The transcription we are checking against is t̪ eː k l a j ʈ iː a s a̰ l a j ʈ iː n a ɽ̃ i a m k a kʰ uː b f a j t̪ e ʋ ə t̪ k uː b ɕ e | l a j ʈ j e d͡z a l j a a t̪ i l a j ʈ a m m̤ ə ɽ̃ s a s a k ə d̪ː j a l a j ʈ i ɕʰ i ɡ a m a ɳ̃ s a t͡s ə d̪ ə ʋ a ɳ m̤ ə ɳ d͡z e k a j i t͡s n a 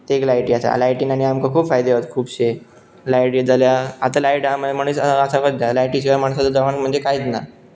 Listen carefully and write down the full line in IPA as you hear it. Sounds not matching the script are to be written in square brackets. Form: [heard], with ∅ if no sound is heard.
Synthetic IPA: t̪ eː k l a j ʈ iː a s a̰ l a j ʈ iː n a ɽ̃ i a m k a kʰ uː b f a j [d̪] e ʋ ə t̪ [kʰ] uː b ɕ e | l a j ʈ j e d͡z a l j a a t̪ [a] l a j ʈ a m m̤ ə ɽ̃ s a s a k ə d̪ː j a l a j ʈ i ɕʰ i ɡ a m a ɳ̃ s a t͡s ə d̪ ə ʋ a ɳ m̤ ə ɳ d͡z e k a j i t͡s n a

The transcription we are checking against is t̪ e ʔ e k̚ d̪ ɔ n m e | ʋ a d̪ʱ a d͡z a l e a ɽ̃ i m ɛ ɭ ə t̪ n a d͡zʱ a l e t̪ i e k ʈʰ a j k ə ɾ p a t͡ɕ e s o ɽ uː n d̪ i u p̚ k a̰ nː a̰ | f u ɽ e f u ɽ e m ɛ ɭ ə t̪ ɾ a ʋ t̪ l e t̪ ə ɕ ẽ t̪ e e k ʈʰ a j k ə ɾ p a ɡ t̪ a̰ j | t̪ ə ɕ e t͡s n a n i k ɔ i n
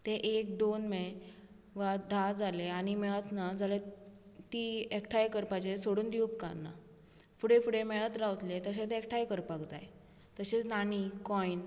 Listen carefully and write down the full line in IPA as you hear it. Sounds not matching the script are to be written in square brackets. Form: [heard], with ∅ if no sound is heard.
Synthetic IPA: t̪ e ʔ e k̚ d̪ [o] n m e | ʋ a d̪ʱ a d͡z a l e a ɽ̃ i m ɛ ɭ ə t̪ n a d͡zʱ a l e t̪ i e k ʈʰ a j k ə ɾ p a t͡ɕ e s o ɽ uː n d̪ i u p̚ k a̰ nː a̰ | f u ɽ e f u ɽ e m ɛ ɭ ə t̪ ɾ a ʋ t̪ l e t̪ ə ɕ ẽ t̪ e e k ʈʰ a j k ə ɾ p a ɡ t̪ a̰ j | t̪ ə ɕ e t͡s n a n i k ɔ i n

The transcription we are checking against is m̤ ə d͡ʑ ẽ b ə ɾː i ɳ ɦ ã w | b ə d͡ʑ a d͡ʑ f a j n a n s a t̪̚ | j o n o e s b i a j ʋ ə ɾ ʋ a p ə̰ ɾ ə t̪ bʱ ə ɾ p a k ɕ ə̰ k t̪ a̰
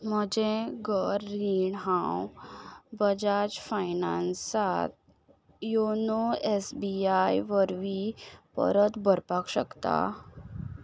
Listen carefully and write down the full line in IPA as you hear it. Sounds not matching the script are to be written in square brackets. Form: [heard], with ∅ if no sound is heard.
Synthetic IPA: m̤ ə d͡ʑ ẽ [ɡ] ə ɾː i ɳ ɦ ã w | b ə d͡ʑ a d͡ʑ f a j n a n s a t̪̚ | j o n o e s b i a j ʋ ə ɾ ʋ [i] p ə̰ ɾ ə t̪ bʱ ə ɾ p a k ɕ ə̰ k t̪ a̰

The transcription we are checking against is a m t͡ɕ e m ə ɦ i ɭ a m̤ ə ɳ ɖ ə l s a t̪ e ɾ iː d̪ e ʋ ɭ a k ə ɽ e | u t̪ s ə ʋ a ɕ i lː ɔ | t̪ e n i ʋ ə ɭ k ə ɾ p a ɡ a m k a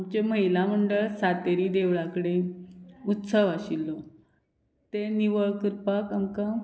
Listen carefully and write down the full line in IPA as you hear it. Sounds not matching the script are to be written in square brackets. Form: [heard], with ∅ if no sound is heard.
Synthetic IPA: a m t͡ɕ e m ə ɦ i [l] a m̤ ə ɳ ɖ ə [ɭ] s a t̪ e ɾ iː d̪ e ʋ ɭ a k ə ɽ e | u t̪ s ə ʋ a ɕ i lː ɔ | t̪ e n i ʋ ə ɭ k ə ɾ p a [k] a m k a

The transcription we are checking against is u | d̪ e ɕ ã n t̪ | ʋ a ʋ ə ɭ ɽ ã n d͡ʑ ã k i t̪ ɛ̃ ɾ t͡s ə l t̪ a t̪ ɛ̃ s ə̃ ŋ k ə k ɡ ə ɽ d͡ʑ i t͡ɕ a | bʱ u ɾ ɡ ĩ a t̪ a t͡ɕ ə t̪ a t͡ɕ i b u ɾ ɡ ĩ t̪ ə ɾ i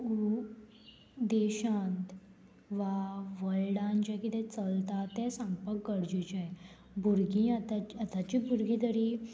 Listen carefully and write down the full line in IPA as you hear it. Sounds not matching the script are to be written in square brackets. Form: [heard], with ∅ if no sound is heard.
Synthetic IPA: u | d̪ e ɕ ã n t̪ | ʋ a ʋ ə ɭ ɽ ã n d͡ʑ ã k i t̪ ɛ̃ [∅] t͡s ə l t̪ a t̪ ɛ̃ s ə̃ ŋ [p] ə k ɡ ə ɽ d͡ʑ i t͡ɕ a | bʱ u ɾ ɡ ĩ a t̪ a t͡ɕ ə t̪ a t͡ɕ i b u ɾ ɡ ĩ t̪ ə ɾ i

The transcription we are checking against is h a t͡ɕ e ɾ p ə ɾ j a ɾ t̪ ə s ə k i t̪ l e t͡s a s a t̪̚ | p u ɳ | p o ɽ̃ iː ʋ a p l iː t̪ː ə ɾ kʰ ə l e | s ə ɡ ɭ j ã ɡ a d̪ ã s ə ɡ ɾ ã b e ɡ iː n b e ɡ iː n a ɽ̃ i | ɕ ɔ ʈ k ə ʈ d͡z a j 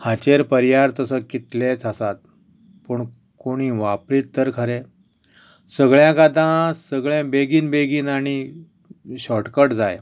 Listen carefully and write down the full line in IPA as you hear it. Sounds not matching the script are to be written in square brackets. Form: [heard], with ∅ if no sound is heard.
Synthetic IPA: h a t͡ɕ e ɾ p ə ɾ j a ɾ t̪ ə s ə k i t̪ l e t͡s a s a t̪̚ | p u ɳ | [k] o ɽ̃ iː ʋ a p [ɾ] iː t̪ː ə ɾ kʰ ə [ɾ] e | s ə ɡ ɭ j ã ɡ a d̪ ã s ə ɡ [ɭ] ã b e ɡ iː n b e ɡ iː n a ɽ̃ i | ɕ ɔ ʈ k ə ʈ d͡z a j

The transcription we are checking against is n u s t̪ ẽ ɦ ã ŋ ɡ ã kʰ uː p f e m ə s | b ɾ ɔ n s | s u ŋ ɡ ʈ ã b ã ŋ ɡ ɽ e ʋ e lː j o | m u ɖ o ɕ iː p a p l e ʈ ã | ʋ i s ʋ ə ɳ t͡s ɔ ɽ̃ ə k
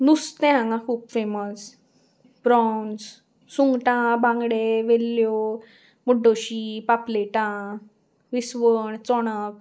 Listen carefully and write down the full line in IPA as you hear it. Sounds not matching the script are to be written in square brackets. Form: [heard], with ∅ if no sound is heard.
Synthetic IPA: n u s t̪ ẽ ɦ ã ŋ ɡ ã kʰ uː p f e m ə s | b ɾ ɔ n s | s u ŋ ɡ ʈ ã b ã ŋ ɡ ɽ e ʋ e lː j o | m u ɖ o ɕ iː p a p l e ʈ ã | ʋ i s ʋ ə ɳ t͡s ɔ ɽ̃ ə k

